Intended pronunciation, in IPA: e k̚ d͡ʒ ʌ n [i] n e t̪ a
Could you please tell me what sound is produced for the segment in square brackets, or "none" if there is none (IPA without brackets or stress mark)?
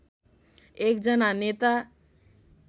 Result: a